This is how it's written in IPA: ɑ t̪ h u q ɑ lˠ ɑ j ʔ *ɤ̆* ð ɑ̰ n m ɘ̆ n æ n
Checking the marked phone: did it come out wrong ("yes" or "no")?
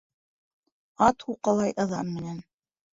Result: no